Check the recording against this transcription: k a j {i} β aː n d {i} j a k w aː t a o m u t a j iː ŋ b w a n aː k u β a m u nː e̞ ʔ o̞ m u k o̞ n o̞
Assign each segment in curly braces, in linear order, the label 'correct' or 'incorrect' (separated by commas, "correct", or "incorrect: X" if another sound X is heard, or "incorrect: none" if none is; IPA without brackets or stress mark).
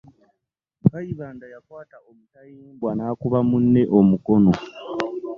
correct, incorrect: a